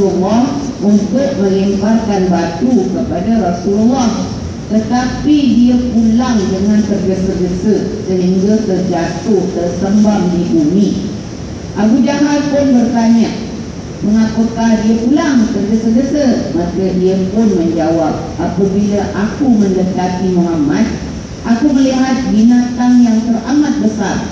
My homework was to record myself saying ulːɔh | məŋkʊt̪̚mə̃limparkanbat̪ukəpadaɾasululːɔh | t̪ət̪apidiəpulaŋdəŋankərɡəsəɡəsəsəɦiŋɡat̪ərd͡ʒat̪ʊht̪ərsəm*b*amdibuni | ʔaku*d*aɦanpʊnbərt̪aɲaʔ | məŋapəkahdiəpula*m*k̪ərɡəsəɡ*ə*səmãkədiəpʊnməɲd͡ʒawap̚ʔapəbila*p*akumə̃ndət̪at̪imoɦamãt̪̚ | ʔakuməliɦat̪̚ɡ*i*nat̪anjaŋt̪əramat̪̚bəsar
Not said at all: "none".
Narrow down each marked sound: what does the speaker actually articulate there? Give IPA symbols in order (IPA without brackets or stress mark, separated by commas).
b, d͡ʒ, ŋ, ə, ʔ, i